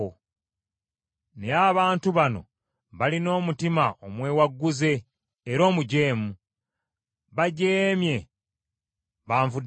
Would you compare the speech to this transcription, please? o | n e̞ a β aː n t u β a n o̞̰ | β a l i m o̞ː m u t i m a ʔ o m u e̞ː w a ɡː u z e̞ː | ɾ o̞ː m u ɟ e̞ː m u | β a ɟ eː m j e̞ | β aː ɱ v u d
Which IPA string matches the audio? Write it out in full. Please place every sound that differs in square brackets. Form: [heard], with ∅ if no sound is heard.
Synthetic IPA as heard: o | n e̞ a β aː n t u β a n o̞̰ | β a l i [n] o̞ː m u t i m a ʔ o m [w] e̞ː w a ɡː u z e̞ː | ɾ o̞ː m u ɟ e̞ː m u | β a ɟ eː m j e̞ | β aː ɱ v u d